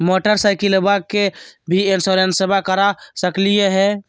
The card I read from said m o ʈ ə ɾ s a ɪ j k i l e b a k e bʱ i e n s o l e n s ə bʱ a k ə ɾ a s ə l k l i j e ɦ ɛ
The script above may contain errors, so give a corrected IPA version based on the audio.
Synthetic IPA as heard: m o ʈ ə ɾ s a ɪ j k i l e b a k e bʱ i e n s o ɾ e n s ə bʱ a k ə ɾ a s ə k l i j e ɦ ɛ